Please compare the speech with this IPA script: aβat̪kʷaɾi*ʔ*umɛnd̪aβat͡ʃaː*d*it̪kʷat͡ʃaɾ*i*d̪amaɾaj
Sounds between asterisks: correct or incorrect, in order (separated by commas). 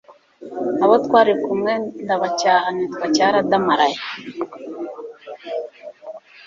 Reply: incorrect, incorrect, incorrect